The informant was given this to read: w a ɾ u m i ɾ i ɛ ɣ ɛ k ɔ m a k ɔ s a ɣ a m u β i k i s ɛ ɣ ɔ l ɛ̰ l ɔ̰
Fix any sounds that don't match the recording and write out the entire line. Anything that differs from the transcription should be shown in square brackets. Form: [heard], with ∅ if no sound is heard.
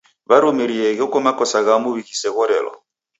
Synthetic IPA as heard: [β] a ɾ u m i ɾ i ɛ ɣ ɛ k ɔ m a k ɔ s a ɣ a m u β i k i s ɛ ɣ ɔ [ɾ] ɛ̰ l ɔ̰